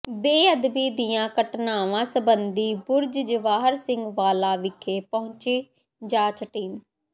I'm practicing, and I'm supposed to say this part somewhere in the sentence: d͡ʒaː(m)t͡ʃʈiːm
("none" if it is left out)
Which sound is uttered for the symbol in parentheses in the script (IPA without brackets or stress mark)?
none